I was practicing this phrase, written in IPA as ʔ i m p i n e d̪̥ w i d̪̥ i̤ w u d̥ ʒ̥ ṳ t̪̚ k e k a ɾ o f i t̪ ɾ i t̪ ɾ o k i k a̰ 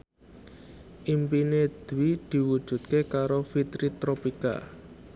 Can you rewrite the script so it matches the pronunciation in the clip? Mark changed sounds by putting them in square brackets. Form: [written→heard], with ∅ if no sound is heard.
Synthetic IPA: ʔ i m p i n e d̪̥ w i d̪̥ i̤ w u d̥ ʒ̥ ṳ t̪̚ k e k a ɾ o f i t̪ ɾ i t̪ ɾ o [k→p] i k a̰